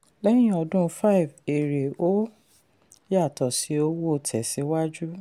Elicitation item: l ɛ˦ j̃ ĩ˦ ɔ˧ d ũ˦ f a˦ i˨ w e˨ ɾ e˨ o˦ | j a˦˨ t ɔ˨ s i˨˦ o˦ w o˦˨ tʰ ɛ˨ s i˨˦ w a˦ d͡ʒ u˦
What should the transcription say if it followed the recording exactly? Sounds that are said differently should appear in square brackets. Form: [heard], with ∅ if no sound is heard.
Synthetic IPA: l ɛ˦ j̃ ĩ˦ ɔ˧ d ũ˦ f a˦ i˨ [v] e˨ ɾ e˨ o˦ | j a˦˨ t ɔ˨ s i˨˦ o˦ w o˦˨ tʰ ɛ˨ s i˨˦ w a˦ d͡ʒ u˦

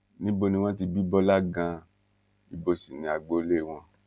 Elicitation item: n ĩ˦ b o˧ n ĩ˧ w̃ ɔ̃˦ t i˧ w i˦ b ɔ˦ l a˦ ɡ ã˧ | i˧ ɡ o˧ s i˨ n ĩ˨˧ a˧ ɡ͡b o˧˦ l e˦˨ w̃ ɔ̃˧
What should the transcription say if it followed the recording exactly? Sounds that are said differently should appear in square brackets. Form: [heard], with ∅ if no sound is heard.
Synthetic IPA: n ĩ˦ b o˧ n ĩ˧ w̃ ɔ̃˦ t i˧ [b] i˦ b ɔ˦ l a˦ ɡ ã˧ | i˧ [b] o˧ s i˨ n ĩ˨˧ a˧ ɡ͡b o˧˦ l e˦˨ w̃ ɔ̃˧

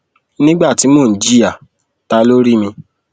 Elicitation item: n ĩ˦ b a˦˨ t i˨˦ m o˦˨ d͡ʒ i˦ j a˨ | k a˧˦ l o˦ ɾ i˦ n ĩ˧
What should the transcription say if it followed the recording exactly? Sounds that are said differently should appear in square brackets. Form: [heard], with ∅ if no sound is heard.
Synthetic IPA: n ĩ˦ [ɡ͡b] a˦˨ t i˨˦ m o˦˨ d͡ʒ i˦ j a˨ | [t] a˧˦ l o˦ ɾ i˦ [m] ĩ˧

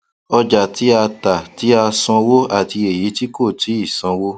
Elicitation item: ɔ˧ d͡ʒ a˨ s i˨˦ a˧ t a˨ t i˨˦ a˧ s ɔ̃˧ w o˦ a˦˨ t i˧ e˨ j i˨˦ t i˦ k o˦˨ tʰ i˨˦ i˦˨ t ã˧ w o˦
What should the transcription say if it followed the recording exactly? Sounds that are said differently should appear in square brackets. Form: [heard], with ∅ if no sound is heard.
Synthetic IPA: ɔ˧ d͡ʒ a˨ [t] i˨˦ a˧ t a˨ t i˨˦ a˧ s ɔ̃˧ w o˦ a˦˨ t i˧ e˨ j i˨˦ t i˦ k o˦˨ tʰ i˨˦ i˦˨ [s] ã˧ w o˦

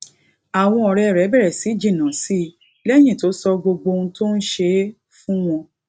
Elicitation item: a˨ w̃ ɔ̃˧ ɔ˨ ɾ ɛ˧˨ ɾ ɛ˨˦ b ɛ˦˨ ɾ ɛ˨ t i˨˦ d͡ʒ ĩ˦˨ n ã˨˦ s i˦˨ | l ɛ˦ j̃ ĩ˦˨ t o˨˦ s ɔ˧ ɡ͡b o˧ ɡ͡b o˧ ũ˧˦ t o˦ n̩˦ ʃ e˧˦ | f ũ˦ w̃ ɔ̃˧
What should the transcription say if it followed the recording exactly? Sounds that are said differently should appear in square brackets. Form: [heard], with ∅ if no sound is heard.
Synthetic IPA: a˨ w̃ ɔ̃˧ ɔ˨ ɾ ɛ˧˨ ɾ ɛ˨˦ b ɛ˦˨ ɾ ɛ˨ [s] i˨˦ d͡ʒ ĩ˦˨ n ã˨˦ s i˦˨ | l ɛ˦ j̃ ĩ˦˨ t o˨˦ s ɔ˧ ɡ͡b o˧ ɡ͡b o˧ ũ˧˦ t o˦ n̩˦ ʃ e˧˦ | f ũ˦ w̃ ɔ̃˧

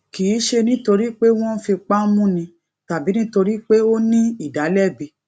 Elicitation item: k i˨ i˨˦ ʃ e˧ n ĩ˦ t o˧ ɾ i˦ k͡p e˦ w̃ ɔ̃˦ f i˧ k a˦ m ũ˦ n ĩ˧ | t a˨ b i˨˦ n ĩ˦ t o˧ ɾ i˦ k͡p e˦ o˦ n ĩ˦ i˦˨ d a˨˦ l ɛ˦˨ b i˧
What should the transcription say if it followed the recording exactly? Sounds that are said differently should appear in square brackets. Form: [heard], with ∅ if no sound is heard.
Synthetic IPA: k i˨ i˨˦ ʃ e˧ n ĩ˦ t o˧ ɾ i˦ k͡p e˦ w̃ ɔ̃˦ f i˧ [k͡p] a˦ m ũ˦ n ĩ˧ | t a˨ b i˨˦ n ĩ˦ t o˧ ɾ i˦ k͡p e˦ o˦ n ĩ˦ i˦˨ d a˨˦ l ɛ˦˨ b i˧

